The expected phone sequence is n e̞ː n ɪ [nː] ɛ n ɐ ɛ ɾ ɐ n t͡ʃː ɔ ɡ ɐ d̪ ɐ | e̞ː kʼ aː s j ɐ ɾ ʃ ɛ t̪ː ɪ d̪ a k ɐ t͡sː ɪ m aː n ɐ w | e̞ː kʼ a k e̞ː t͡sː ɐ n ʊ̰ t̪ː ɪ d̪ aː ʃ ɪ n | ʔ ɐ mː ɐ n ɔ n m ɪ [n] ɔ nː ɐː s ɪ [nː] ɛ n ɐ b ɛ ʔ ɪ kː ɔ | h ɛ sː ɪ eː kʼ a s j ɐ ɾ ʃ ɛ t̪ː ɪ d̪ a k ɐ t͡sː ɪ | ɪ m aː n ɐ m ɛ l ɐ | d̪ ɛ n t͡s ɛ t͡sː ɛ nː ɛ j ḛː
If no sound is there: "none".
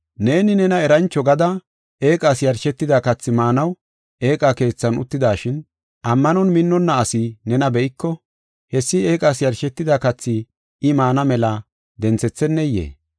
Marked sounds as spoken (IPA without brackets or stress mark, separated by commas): n, nː, n